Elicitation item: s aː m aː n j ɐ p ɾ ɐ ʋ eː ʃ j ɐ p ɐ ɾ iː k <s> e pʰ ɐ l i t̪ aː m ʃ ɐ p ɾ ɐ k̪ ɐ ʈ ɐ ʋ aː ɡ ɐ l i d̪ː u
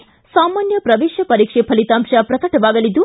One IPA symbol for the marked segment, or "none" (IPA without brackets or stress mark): ʂ